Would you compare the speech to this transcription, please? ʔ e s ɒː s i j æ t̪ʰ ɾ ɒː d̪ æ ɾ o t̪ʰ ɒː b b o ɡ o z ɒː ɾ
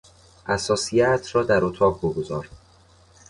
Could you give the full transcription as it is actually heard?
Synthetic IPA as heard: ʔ æ s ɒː s i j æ t̪ʰ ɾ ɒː d̪ æ ɾ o t̪ʰ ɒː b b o ɡ o z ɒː ɾ